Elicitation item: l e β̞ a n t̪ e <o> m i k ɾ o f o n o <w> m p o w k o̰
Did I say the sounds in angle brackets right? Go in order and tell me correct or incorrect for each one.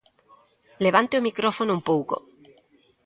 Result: correct, incorrect: u

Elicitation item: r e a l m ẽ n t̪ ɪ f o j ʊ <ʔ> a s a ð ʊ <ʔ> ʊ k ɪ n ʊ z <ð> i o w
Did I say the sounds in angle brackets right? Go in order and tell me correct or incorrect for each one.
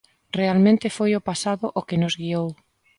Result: incorrect: p, correct, incorrect: ɣ

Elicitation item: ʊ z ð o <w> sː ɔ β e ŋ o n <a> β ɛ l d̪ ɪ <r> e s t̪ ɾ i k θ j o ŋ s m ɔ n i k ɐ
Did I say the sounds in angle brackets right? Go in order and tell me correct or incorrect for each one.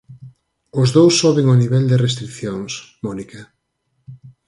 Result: correct, incorrect: i, correct

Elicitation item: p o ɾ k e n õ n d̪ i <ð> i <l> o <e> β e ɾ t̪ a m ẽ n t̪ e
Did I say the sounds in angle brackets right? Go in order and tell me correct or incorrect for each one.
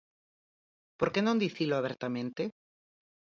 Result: incorrect: θ, correct, incorrect: a

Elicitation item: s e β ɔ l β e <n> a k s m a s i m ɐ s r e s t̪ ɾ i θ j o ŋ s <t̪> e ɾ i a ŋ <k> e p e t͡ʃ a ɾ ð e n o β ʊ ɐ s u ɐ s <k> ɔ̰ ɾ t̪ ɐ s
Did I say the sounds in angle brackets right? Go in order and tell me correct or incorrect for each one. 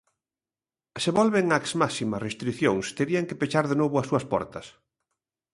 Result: incorrect: ŋ, correct, correct, incorrect: p

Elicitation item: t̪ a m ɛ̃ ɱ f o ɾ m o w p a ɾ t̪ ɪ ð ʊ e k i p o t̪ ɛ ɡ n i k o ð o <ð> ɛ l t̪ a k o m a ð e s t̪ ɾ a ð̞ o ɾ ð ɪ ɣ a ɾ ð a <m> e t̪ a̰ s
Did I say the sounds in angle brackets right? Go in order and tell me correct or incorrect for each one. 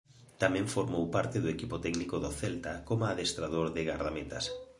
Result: incorrect: θ, correct

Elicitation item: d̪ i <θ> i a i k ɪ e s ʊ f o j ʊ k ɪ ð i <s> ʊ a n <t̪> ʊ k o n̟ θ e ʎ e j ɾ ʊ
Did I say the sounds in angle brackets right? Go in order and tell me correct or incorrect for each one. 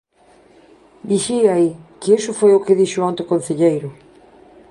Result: incorrect: ʃ, incorrect: ʃ, correct

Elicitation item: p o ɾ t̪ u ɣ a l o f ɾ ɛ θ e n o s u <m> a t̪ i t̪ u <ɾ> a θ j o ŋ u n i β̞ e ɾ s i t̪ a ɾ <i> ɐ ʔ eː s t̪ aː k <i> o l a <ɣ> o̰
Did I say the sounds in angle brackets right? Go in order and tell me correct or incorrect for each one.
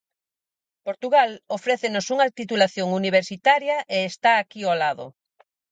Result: incorrect: ŋ, incorrect: l, incorrect: j, correct, incorrect: ð

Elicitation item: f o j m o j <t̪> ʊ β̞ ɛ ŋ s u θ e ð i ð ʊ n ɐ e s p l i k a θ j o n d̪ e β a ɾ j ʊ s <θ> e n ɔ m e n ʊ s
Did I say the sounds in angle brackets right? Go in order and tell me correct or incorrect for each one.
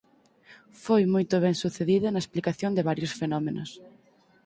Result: correct, incorrect: f

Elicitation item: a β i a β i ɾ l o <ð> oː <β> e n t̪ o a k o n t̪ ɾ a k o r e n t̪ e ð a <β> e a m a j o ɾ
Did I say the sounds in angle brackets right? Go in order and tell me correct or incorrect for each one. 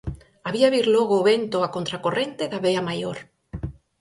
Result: incorrect: ɣ, correct, correct

